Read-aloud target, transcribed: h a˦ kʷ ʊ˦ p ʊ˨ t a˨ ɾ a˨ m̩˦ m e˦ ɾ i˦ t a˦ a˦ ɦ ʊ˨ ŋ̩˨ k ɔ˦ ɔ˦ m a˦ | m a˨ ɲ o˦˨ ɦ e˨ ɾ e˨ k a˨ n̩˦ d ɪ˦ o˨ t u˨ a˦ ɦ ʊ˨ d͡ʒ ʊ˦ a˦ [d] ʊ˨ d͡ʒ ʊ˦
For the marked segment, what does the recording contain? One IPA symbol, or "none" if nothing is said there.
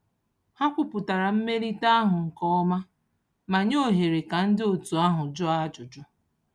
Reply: d͡ʒ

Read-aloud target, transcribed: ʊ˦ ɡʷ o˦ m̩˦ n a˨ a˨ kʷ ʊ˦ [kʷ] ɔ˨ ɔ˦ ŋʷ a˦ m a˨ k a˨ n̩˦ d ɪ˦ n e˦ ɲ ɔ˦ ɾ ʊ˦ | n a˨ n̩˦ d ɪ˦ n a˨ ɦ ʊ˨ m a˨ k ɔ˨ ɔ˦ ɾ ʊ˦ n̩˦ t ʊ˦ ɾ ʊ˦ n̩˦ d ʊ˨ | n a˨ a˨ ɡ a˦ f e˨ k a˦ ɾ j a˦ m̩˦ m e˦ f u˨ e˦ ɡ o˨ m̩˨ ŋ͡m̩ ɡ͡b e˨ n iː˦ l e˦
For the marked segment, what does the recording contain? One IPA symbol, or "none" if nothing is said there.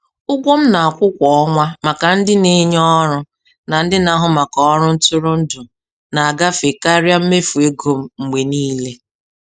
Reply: kʷ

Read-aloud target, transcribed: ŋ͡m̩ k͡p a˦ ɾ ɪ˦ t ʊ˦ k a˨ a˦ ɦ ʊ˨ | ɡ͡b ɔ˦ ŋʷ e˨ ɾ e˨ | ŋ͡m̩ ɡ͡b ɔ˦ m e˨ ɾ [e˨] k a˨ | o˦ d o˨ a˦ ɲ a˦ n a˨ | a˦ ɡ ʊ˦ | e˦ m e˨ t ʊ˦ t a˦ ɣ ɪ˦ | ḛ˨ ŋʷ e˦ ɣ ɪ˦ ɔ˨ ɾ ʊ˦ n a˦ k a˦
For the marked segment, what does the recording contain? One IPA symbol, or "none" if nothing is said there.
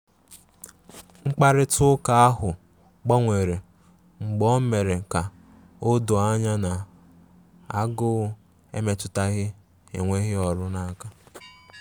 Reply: e˨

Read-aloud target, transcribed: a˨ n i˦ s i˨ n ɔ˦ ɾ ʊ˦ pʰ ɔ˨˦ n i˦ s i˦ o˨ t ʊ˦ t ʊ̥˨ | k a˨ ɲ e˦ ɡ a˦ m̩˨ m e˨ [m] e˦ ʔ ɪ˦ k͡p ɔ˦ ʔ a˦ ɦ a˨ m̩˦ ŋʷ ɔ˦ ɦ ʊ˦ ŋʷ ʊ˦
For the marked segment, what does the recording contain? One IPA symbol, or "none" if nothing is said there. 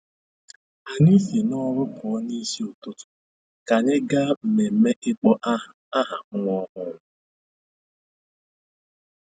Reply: m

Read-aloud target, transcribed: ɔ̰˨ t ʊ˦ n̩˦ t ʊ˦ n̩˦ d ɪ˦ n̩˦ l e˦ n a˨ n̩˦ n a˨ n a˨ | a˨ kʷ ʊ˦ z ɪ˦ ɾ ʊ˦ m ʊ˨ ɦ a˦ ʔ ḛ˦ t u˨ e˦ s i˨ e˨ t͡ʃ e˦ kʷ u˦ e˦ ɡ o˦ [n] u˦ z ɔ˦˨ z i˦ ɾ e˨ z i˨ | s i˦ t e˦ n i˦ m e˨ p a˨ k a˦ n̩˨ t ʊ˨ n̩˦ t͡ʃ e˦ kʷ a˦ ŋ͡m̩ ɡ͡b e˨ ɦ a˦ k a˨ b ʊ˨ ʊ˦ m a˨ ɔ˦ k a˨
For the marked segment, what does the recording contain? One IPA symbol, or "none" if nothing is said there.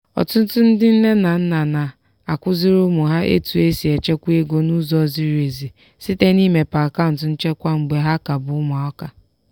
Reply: n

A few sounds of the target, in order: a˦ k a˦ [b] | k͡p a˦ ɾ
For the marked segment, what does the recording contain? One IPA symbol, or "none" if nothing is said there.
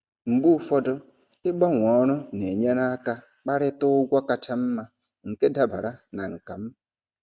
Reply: none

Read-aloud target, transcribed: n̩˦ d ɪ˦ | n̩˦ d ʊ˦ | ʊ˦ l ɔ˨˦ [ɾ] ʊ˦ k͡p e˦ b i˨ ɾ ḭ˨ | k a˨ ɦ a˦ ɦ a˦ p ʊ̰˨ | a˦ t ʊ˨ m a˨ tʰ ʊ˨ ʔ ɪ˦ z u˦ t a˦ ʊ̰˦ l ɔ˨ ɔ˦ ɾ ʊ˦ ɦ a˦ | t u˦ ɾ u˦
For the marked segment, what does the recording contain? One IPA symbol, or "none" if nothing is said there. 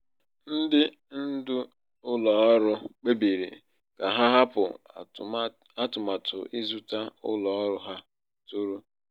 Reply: ɾ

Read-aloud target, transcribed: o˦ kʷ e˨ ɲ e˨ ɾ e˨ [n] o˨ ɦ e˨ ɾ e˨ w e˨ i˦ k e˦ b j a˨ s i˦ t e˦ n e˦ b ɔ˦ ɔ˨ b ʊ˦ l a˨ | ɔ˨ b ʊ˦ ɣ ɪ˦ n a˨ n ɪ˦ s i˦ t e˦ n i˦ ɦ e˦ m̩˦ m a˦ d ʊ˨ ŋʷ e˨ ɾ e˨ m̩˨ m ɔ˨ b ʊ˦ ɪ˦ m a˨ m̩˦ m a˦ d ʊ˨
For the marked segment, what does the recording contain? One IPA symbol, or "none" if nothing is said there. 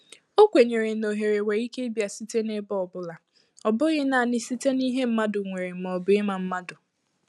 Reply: n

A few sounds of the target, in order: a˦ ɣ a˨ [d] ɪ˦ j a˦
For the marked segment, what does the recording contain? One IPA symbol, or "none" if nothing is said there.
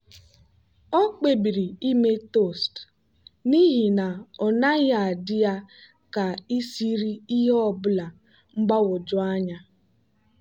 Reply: d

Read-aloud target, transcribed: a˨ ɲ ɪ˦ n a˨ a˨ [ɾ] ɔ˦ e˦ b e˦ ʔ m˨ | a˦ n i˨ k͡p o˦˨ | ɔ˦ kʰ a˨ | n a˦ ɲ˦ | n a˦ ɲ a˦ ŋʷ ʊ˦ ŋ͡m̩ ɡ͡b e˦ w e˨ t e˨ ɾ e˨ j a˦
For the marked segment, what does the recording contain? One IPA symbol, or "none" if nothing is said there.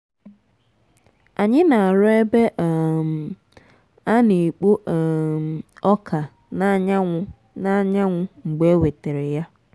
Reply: ɾ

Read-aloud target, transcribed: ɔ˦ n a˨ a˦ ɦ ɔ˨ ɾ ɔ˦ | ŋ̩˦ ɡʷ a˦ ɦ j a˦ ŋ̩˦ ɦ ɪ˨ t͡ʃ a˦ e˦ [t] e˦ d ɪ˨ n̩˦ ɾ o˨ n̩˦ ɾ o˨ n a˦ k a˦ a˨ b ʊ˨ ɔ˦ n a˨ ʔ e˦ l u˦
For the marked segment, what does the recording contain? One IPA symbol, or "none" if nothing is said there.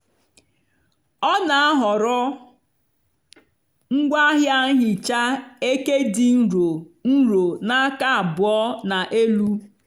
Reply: k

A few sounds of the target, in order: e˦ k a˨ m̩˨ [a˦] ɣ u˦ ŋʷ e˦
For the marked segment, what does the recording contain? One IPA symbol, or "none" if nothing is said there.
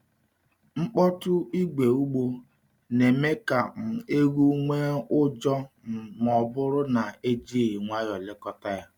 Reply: e˦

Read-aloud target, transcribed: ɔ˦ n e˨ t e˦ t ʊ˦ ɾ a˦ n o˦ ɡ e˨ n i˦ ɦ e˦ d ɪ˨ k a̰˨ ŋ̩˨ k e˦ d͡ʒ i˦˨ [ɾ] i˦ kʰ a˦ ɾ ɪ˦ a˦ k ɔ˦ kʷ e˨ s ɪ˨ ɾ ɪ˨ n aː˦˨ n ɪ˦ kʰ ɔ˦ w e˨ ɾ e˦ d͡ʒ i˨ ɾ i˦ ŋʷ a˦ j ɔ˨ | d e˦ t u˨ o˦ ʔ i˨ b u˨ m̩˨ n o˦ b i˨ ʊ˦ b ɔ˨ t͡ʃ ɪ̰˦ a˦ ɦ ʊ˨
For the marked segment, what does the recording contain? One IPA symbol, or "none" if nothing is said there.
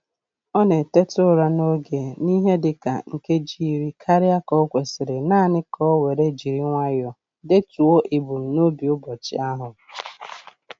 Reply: ɾ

